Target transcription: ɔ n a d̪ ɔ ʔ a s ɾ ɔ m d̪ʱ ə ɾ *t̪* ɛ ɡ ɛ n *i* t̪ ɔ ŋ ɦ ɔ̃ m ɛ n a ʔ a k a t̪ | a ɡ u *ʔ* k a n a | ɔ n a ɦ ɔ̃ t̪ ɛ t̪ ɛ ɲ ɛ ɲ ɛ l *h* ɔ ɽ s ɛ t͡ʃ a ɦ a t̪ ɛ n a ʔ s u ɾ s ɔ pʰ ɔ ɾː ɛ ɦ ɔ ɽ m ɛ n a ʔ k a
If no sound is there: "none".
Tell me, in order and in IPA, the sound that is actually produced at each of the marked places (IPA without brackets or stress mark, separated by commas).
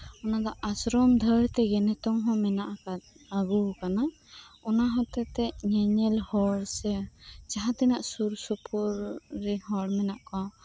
t̪, ɛ, none, h